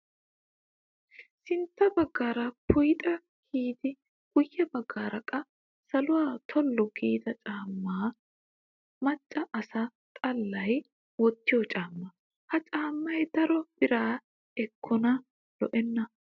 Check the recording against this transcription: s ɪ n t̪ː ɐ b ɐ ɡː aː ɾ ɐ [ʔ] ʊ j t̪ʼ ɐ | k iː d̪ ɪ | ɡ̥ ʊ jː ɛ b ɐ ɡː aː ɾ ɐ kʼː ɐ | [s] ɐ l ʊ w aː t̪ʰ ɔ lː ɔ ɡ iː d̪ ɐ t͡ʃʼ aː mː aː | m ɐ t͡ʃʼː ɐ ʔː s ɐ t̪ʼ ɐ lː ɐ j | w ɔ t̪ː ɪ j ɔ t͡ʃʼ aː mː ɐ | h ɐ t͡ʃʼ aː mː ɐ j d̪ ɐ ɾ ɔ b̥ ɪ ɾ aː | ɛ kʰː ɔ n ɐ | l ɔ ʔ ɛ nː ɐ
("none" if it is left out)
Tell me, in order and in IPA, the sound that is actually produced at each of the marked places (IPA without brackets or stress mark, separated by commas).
p, s